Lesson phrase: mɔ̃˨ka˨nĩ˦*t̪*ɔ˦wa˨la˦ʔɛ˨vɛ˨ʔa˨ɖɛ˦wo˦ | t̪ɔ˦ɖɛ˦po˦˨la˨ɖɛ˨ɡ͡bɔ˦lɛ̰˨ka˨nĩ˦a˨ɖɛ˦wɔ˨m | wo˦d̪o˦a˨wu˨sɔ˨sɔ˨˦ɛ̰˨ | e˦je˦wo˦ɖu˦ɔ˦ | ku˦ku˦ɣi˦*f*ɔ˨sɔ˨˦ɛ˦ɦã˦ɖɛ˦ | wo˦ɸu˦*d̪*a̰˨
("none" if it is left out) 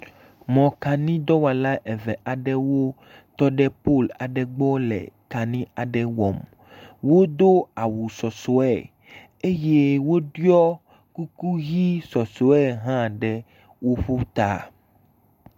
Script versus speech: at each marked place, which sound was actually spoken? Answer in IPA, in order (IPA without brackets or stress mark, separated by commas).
d̪, s, t̪